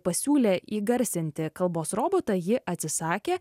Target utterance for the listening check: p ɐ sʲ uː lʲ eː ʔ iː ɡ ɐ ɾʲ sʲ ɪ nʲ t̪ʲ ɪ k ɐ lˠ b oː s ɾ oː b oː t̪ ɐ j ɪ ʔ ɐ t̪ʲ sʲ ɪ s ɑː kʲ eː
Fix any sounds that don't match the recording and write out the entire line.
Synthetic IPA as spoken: p ɐ sʲ uː lʲ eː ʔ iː ɡ ɐ ɾʲ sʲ ɪ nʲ t̪ʲ ɪ k ɐ lˠ b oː s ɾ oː b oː t̪ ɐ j ɪ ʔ ɐ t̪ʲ sʲ ɪ s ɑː kʲ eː